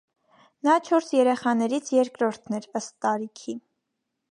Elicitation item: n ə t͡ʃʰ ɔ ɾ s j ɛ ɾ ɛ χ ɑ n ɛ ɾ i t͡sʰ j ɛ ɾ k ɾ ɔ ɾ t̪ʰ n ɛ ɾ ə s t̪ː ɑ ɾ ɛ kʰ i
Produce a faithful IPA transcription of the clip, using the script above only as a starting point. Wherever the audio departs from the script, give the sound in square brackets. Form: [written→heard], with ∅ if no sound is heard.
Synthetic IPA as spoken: n [ə→ɑ] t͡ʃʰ ɔ ɾ s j ɛ ɾ ɛ χ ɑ n ɛ ɾ i t͡sʰ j ɛ ɾ k ɾ ɔ ɾ t̪ʰ n ɛ ɾ ə s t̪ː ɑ ɾ [ɛ→i] kʰ i